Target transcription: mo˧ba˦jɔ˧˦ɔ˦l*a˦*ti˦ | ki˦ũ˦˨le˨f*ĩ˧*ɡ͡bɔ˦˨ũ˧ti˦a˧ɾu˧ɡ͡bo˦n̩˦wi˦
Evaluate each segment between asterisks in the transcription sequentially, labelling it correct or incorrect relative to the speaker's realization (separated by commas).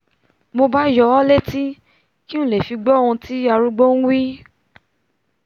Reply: incorrect, incorrect